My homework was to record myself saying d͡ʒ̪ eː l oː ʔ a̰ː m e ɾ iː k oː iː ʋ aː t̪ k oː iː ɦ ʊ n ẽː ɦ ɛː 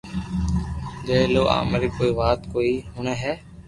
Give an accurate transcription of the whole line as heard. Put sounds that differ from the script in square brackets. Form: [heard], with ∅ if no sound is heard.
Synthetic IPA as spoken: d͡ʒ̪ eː l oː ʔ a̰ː m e ɾ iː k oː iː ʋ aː t̪ k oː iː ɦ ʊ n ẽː ɦ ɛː